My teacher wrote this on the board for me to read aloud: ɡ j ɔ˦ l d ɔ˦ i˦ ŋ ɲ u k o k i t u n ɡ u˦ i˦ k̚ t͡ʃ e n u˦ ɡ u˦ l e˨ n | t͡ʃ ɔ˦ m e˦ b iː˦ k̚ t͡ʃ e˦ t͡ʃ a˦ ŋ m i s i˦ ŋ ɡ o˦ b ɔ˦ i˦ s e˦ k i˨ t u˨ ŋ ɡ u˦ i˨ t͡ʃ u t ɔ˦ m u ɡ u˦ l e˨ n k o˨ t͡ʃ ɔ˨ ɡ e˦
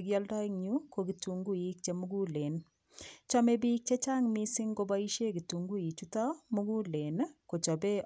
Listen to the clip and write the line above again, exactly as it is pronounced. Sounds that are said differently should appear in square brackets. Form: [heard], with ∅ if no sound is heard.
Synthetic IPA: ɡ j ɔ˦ l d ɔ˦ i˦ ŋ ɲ u k o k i t u [ŋ] ɡ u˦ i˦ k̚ t͡ʃ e [m] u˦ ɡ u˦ l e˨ n | t͡ʃ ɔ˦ m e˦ b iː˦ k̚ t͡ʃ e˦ t͡ʃ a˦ ŋ m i s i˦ ŋ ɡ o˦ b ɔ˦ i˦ [ʃ] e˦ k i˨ t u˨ ŋ ɡ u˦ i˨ t͡ʃ u t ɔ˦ m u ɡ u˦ l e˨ n k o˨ t͡ʃ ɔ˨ [b] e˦